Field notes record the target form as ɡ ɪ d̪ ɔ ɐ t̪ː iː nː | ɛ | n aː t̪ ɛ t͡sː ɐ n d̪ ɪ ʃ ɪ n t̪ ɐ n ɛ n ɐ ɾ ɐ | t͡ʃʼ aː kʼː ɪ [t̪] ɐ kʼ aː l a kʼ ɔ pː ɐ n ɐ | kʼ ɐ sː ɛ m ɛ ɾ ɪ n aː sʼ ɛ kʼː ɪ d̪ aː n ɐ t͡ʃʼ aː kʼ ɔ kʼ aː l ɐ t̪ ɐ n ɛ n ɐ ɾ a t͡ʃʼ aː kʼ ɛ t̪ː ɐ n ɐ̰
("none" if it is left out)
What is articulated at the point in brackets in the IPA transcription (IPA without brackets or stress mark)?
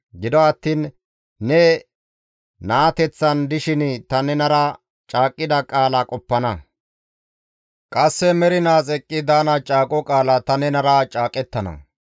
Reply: d̪